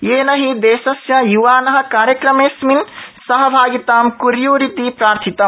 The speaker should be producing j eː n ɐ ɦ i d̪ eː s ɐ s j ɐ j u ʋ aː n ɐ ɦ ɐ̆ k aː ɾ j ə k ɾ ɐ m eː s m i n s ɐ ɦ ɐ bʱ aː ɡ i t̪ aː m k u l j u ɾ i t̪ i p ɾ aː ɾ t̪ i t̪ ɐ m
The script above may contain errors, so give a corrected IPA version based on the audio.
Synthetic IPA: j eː n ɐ ɦ i d̪ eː s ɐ s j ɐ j u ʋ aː n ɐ ɦ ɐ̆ k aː ɾ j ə k ɾ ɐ m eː s m i n s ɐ ɦ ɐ bʱ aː ɡ i t̪ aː m k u ɾ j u ɾ i t̪ i p ɾ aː ɾ t̪ʰ i t̪ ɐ m